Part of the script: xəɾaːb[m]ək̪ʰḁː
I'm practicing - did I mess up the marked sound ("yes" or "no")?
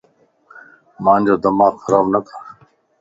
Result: yes